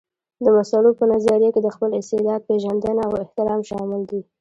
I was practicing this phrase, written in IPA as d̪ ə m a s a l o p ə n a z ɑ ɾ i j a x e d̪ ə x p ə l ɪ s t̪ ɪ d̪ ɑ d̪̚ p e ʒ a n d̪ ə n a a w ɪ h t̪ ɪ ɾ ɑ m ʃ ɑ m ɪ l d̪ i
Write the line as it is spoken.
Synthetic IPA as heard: d̪ ə m a s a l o p ə n a z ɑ ɾ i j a k e d̪ ə x p ə l ɪ s t̪ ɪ d̪ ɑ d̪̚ p e ʒ a n d̪ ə n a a w ɪ h t̪ ɪ ɾ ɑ m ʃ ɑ m ɪ l d̪ i